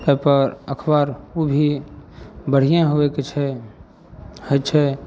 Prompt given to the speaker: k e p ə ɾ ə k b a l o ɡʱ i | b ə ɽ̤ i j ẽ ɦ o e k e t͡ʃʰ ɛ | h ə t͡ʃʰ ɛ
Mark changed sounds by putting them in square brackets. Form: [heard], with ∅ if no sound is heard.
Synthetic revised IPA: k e p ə ɾ ə [kʰ] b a [ɾ] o [bʱ] i | b ə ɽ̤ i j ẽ ɦ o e k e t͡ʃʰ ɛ | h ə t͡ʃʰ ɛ

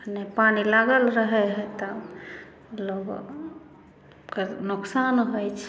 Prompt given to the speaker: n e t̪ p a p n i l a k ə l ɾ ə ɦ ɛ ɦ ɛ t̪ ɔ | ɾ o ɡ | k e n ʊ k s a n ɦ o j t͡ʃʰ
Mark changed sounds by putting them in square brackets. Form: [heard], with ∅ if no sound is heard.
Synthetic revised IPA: n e [∅] p a [∅] n i l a [ɡ] ə l ɾ ə ɦ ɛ ɦ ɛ t̪ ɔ | [l] o ɡ | k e n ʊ k s a n ɦ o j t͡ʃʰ

